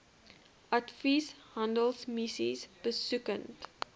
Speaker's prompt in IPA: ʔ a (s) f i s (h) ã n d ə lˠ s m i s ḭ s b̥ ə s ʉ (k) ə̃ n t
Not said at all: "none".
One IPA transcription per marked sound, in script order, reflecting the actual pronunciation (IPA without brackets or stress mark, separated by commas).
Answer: t, h, k